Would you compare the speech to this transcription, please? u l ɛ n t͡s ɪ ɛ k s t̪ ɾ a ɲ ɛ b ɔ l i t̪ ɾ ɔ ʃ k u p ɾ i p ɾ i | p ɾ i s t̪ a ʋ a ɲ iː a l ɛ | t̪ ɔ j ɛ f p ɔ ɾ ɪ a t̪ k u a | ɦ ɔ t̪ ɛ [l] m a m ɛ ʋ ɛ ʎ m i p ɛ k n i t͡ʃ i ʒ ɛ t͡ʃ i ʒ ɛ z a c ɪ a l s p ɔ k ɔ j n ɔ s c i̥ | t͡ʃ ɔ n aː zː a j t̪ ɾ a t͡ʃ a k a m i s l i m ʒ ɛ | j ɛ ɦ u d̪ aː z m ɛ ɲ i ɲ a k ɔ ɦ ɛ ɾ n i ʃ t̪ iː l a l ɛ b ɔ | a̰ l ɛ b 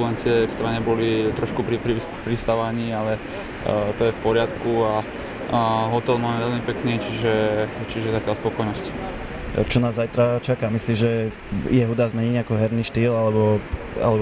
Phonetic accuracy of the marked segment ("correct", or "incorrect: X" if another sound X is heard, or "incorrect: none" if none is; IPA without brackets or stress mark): correct